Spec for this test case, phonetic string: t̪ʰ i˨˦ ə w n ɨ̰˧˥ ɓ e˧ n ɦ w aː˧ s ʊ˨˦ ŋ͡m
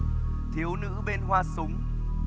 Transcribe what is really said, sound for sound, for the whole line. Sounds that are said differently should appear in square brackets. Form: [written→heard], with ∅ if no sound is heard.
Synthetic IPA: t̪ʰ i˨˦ ə w n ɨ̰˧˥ ɓ e˧ n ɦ w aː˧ s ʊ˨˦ ŋ͡m

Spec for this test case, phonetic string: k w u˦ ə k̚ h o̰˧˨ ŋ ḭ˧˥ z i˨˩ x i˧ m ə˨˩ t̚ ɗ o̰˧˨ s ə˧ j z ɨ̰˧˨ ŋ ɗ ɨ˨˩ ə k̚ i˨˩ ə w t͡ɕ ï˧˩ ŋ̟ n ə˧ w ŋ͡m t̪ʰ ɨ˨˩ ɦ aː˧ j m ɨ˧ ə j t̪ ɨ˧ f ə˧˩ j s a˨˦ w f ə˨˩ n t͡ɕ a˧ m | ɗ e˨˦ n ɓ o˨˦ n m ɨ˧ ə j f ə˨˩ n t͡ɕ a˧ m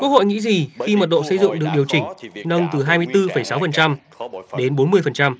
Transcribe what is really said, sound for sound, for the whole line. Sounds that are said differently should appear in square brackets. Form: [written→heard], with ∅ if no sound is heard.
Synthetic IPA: k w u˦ ə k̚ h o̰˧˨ ŋ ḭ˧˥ z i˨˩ x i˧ m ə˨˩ t̚ ɗ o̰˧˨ s ə˧ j z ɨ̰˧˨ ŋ ɗ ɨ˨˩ ə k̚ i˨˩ ə w t͡ɕ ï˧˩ ŋ̟ n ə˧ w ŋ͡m [t̪ʰ→t̪] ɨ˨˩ ɦ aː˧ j m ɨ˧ ə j t̪ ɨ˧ f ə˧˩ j s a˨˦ w f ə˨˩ n t͡ɕ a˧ m | ɗ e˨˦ n ɓ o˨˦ n m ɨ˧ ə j f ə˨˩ n t͡ɕ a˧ m

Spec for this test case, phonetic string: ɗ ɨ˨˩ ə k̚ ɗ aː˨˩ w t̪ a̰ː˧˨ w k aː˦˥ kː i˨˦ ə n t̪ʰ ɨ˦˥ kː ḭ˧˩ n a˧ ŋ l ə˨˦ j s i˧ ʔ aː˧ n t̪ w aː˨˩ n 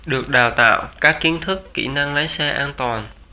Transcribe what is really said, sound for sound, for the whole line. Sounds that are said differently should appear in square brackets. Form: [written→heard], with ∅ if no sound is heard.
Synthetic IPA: ɗ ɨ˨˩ ə k̚ ɗ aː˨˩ w t̪ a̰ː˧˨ w k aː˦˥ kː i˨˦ ə n t̪ʰ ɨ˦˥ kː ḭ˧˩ n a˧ ŋ l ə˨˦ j s [i˧→ɛ˧] ʔ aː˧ n t̪ w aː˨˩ n

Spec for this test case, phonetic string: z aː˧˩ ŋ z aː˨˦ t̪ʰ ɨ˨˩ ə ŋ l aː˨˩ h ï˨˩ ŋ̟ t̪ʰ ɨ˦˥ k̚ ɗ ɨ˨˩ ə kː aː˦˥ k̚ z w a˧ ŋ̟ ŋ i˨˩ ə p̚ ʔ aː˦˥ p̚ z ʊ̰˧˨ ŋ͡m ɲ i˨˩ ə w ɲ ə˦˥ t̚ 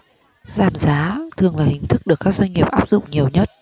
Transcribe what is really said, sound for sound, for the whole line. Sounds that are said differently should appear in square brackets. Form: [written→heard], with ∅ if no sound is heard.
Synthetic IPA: z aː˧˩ [ŋ→m] z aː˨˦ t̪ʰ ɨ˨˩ ə ŋ l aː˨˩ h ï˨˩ ŋ̟ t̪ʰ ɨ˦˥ k̚ ɗ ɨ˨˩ ə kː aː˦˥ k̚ z w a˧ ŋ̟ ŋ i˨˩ ə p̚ ʔ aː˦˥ p̚ z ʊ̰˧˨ ŋ͡m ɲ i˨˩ ə w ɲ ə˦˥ t̚

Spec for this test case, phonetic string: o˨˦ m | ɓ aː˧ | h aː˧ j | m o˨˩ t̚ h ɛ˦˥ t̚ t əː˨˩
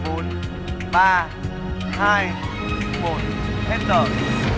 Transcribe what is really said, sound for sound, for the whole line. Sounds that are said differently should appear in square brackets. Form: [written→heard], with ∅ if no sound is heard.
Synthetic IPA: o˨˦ [m→n] | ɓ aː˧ | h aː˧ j | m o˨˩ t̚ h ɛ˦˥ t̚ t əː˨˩

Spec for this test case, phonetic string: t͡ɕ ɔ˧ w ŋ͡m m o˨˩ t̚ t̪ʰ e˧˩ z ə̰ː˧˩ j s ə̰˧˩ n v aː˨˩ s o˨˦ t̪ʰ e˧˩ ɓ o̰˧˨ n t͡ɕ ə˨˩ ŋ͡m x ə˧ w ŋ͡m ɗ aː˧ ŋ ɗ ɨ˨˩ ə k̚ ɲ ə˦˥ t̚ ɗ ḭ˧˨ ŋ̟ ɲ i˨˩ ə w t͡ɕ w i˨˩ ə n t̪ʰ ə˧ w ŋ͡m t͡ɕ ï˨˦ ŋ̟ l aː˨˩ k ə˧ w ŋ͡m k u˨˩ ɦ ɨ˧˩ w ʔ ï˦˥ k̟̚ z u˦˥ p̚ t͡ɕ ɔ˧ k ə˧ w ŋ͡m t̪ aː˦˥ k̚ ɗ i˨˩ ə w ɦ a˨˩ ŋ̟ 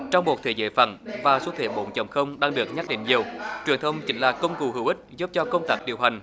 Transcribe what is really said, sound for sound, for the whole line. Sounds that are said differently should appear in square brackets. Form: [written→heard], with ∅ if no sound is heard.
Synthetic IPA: t͡ɕ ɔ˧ w ŋ͡m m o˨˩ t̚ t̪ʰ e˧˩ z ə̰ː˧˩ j [s→f] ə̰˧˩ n v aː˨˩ s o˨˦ t̪ʰ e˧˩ ɓ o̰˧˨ n t͡ɕ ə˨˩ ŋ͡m x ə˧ w ŋ͡m ɗ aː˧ ŋ ɗ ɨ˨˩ ə k̚ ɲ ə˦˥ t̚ ɗ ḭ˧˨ ŋ̟ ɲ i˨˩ ə w t͡ɕ w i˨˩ ə n t̪ʰ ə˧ w ŋ͡m t͡ɕ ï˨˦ ŋ̟ l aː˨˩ k ə˧ w ŋ͡m k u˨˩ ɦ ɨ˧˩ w ʔ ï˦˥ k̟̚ z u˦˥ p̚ t͡ɕ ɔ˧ k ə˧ w ŋ͡m t̪ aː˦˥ k̚ ɗ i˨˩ ə w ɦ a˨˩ ŋ̟

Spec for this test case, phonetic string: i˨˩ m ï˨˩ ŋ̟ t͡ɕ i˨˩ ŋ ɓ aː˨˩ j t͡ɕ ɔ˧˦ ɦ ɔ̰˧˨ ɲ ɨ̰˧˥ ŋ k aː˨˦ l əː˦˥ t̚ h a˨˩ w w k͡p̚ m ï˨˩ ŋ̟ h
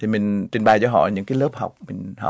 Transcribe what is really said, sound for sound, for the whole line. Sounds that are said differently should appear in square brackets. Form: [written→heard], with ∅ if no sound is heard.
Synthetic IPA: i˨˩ m ï˨˩ ŋ̟ t͡ɕ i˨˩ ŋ ɓ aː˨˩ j t͡ɕ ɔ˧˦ ɦ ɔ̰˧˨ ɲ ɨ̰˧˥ ŋ k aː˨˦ l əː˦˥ [t̚→p̚] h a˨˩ w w k͡p̚ m ï˨˩ ŋ̟ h

